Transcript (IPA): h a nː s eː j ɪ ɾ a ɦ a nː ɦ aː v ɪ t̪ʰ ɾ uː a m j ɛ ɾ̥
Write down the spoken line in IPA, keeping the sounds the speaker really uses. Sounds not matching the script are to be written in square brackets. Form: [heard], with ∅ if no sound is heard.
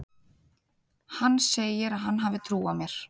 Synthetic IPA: h a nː s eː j ɪ ɾ a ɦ a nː ɦ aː v ɪ t̪ʰ ɾ uː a m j ɛ ɾ̥